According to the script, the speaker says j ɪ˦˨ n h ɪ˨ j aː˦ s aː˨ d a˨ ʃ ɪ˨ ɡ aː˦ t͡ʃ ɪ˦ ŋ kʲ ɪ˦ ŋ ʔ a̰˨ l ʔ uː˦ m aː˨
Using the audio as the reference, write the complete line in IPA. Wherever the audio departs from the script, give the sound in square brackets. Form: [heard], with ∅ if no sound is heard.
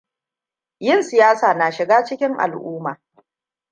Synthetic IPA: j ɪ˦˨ n [s] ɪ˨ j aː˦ s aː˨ [n] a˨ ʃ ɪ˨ ɡ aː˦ t͡ʃ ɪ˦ [∅] kʲ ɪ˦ ŋ ʔ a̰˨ l ʔ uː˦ m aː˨